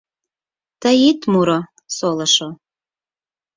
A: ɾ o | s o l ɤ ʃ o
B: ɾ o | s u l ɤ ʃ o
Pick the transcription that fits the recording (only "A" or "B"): A